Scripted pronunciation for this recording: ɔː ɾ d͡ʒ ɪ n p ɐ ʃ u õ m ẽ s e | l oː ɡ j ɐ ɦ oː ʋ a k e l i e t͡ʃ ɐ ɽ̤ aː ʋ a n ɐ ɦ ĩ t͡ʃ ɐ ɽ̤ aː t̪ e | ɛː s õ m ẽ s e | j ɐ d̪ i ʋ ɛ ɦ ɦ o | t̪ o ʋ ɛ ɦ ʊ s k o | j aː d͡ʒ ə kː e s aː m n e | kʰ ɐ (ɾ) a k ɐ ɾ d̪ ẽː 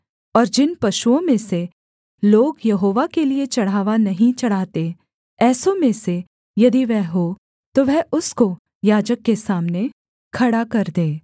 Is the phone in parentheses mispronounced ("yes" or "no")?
yes